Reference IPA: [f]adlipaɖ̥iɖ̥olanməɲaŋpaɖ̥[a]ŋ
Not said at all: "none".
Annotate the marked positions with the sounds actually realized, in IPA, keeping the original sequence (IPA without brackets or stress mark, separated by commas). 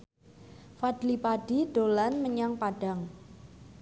f, a